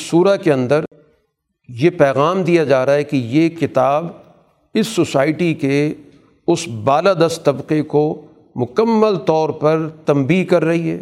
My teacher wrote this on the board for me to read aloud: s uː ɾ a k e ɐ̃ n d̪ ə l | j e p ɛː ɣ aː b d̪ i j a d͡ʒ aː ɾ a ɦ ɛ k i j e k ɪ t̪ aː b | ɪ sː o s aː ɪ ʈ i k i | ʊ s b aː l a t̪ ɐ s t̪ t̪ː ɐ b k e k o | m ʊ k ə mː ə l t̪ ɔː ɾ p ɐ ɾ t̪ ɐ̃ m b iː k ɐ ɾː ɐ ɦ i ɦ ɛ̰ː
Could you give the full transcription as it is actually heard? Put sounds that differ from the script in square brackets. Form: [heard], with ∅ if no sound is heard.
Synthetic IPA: s uː ɾ a k e ɐ̃ n d̪ ə [ɾ] | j e p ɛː ɣ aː [m] d̪ i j a d͡ʒ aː ɾ a ɦ ɛ k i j e k ɪ t̪ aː b | ɪ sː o s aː ɪ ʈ i k [e] | ʊ s b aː l a [d̪] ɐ s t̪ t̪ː ɐ b [q] e k o | m ʊ k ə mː ə l t̪ ɔː ɾ p ɐ ɾ t̪ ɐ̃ m b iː k ɐ ɾː ɐ ɦ i ɦ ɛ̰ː